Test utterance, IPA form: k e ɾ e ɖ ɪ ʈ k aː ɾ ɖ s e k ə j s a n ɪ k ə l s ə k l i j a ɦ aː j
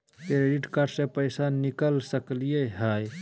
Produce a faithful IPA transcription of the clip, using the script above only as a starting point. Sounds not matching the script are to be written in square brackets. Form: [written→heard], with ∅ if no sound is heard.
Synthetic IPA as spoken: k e ɾ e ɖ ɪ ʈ k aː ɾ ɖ s e [k→p] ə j s a n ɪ k ə l s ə k l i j [a→e] ɦ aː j